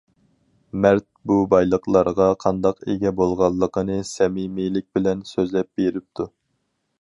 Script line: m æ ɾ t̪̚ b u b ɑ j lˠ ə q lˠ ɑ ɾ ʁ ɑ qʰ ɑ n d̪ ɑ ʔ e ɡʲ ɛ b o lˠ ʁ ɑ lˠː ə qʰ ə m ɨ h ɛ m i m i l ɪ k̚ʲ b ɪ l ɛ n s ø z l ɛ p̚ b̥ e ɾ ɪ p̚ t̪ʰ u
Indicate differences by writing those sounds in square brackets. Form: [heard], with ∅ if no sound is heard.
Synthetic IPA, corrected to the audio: m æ ɾ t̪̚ b u b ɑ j lˠ ə q lˠ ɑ ɾ ʁ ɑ qʰ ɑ n d̪ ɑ [q] e ɡʲ ɛ b o lˠ ʁ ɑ lˠː ə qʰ ə [n] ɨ [s] ɛ m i m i l ɪ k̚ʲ b ɪ l ɛ n s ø z l ɛ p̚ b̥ e ɾ ɪ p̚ t̪ʰ u

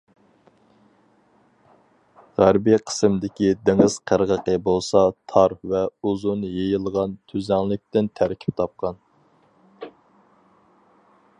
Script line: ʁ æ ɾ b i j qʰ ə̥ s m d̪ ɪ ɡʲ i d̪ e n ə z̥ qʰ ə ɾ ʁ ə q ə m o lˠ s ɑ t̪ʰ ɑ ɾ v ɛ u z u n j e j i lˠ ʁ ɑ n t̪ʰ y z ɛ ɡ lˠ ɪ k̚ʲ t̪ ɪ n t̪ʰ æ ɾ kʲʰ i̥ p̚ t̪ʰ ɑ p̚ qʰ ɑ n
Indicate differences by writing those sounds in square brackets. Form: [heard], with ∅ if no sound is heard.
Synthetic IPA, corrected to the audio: ʁ æ ɾ b i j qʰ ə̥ s m d̪ ɪ [kʲ] i d̪ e [ŋ] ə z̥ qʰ ə ɾ ʁ ə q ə [b] o lˠ s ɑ t̪ʰ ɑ ɾ v ɛ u z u n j e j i lˠ ʁ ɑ n t̪ʰ y z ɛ [ŋ] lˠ ɪ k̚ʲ t̪ ɪ n t̪ʰ æ ɾ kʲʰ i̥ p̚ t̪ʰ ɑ p̚ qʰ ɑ n

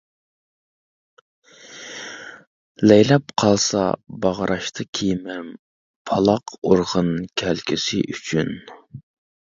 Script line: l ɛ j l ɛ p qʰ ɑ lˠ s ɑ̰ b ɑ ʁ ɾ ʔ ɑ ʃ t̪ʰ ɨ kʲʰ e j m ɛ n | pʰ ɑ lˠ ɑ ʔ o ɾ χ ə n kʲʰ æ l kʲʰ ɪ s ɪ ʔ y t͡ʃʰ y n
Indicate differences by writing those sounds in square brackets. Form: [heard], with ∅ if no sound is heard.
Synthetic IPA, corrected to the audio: l ɛ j l ɛ p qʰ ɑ lˠ s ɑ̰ b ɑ ʁ ɾ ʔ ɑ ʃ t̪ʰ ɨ kʲʰ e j m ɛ [m] | pʰ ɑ lˠ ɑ [q] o ɾ [ʁ] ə n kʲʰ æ l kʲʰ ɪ s ɪ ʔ y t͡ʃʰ y n

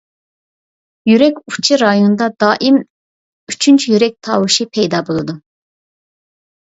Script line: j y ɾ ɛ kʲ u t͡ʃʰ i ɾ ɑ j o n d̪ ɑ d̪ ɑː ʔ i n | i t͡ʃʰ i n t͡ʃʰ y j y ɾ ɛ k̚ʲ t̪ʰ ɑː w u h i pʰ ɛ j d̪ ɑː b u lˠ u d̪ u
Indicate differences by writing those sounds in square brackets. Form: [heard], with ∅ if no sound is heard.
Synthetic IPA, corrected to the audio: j y ɾ ɛ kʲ u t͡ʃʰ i ɾ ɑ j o n d̪ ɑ d̪ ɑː ʔ i [m] | [y] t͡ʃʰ [y] n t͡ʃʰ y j y ɾ ɛ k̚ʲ t̪ʰ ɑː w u [ʃ] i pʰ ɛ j d̪ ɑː b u lˠ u d̪ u

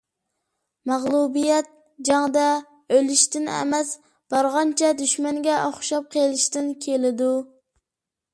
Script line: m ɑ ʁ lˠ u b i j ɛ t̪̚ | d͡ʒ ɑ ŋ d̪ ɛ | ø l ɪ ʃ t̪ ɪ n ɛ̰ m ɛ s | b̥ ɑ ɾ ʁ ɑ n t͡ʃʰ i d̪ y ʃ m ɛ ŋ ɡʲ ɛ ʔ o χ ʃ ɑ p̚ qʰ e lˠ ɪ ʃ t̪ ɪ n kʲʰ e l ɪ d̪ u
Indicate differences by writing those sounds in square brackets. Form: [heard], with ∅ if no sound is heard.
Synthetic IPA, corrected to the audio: m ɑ ʁ lˠ u b i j ɛ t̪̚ | d͡ʒ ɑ ŋ d̪ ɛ | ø l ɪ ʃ t̪ ɪ n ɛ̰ m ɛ s | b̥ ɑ ɾ ʁ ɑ n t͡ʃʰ [ɛ] d̪ y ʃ m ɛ ŋ ɡʲ ɛ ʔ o χ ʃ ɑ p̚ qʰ e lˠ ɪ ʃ t̪ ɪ n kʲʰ e l ɪ d̪ u

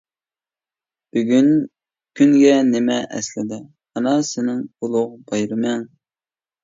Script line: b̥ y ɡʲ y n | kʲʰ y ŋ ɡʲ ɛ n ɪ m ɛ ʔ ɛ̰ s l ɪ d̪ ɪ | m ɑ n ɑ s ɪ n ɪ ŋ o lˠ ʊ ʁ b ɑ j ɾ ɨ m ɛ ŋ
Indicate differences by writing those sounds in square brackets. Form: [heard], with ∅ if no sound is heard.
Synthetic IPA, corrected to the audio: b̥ y ɡʲ y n | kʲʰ y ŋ ɡʲ ɛ n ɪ m ɛ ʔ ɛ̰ s l ɪ d̪ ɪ | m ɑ n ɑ s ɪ n ɪ ŋ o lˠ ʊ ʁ b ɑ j ɾ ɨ m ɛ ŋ

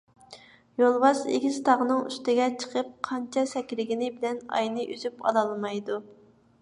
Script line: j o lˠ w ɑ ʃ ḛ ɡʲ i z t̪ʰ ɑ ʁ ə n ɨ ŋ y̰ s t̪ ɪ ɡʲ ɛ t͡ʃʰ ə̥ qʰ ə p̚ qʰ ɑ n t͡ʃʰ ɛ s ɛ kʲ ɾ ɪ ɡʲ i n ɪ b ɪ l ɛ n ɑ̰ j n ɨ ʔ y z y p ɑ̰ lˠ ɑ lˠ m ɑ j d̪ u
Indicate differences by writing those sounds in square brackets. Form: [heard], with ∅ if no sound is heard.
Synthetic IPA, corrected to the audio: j o lˠ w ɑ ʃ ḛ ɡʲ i z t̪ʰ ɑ ʁ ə n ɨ ŋ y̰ s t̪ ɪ ɡʲ ɛ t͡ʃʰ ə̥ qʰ ə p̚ qʰ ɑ n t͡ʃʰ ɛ s ɛ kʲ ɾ ɪ ɡʲ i n ɪ b ɪ l ɛ n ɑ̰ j n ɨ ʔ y z y p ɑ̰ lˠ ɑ lˠ m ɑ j d̪ u

